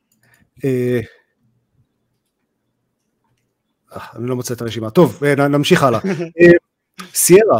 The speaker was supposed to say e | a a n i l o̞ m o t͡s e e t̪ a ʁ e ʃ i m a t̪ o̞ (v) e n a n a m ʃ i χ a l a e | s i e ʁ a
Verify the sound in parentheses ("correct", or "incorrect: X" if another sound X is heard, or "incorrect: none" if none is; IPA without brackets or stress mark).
correct